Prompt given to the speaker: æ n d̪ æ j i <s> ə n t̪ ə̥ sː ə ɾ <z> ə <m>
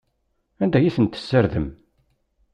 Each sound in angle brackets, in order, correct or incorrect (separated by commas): incorrect, incorrect, correct